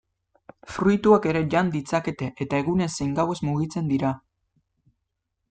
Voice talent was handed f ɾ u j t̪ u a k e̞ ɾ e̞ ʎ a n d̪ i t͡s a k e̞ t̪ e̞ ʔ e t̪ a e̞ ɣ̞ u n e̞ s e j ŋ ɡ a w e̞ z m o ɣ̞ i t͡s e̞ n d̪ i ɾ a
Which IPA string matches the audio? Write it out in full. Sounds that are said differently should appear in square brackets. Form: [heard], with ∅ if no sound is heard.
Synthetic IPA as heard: f ɾ u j t̪ u a k e̞ ɾ e̞ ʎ a n d̪ i t͡s a k e̞ t̪ e̞ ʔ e t̪ a e̞ ɣ̞ u n e̞ s e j ŋ ɡ a w e̞ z m [u] ɣ̞ i t͡s e̞ n d̪ i ɾ a